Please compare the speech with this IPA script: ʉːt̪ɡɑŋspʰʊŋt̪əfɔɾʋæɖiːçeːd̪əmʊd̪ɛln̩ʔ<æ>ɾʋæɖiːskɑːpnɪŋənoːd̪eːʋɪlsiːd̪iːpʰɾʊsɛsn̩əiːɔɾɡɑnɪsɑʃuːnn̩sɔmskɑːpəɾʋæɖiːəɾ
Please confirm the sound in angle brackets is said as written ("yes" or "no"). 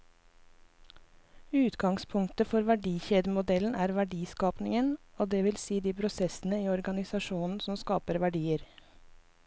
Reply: no